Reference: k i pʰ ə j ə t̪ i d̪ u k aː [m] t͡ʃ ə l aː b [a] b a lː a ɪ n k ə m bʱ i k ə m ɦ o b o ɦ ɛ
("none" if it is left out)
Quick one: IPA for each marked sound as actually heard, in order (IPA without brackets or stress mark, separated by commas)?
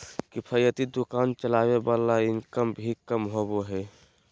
n, e